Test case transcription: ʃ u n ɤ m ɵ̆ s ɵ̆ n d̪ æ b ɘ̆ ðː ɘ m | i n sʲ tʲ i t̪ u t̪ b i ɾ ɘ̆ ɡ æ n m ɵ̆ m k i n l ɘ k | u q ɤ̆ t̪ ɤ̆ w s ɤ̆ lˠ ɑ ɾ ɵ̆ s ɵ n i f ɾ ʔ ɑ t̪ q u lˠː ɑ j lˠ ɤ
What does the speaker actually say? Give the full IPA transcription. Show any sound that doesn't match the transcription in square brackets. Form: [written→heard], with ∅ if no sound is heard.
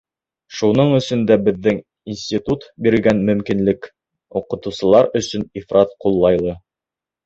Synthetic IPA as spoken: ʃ u n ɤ [m→ɴ] ɵ̆ s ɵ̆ n d̪ æ b ɘ̆ ðː ɘ [m→ŋ] | i n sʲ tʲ i t̪ u t̪ b i ɾ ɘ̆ ɡ æ n m ɵ̆ m k i n l ɘ k | u q ɤ̆ t̪ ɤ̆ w s ɤ̆ lˠ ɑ ɾ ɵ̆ s ɵ n i f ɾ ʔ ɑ t̪ q u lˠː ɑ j lˠ ɤ

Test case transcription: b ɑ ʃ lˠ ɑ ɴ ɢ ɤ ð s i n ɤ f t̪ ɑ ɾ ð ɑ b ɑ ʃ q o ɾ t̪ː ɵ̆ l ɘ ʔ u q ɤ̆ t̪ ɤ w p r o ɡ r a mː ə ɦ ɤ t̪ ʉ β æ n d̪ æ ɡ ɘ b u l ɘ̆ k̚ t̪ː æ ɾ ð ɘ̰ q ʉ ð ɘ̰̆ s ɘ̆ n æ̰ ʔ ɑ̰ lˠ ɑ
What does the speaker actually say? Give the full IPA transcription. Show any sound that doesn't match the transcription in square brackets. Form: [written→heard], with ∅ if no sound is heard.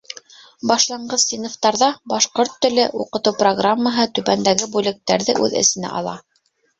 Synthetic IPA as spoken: b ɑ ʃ lˠ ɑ ɴ ɢ ɤ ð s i n [ɤ→o] f t̪ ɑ ɾ ð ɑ b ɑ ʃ q o ɾ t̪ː ɵ̆ l ɘ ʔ u q ɤ̆ t̪ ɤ w p r o ɡ r a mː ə ɦ ɤ t̪ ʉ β æ n d̪ æ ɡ ɘ b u l ɘ̆ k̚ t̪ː æ ɾ ð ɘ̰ [q→ʔ] ʉ ð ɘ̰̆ s ɘ̆ n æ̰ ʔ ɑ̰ lˠ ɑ

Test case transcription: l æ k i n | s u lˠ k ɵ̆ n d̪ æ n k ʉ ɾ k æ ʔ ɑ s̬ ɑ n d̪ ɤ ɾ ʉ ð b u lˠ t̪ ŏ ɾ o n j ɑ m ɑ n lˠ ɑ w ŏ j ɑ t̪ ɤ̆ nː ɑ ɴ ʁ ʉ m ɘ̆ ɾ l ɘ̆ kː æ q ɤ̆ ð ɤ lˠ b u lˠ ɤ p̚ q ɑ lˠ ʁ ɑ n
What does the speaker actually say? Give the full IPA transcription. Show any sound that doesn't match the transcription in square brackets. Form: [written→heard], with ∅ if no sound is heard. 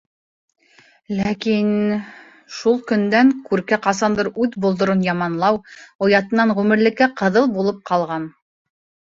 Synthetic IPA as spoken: l æ k i n | [s→ʃ] u lˠ k ɵ̆ n d̪ æ [n→ŋ] k ʉ ɾ k æ [ʔ→q] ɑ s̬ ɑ n d̪ ɤ ɾ ʉ ð b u lˠ [t̪→d̪] ŏ ɾ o n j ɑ m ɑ n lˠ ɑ w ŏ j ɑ t̪ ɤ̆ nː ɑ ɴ ʁ ʉ m ɘ̆ ɾ l ɘ̆ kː æ q ɤ̆ ð ɤ lˠ b u lˠ ɤ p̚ q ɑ lˠ ʁ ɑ n

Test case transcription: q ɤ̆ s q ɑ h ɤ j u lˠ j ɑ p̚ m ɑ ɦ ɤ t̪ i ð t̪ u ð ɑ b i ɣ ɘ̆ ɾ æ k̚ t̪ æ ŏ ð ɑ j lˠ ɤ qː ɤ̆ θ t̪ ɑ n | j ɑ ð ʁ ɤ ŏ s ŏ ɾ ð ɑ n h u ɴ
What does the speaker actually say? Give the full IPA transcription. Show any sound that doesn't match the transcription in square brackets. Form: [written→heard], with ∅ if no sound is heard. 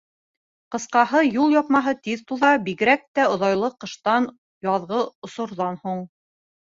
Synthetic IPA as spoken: q ɤ̆ s q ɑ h ɤ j u lˠ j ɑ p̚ m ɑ ɦ ɤ t̪ i ð t̪ u ð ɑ b i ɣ ɘ̆ ɾ æ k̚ t̪ æ ŏ ð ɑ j lˠ ɤ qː ɤ̆ [θ→ʃ] t̪ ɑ n | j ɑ ð ʁ ɤ ŏ s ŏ ɾ ð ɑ n h u ɴ

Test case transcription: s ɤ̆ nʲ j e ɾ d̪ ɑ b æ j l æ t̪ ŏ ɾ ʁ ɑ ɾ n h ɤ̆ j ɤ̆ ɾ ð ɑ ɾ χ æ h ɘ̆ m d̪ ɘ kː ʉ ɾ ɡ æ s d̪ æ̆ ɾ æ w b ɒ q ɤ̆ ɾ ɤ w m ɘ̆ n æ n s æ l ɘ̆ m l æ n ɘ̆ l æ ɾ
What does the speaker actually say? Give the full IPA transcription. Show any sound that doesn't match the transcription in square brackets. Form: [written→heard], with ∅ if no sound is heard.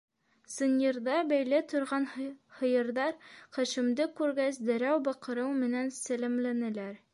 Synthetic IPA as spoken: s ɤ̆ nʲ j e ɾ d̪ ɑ b æ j l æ t̪ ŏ ɾ ʁ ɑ [ɾ→∅] n h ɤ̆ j ɤ̆ ɾ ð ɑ ɾ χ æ [h→ʃ] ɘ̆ m d̪ ɘ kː ʉ ɾ ɡ æ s d̪ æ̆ ɾ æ w b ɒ q ɤ̆ ɾ ɤ w m ɘ̆ n æ n s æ l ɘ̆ m l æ n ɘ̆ l æ ɾ

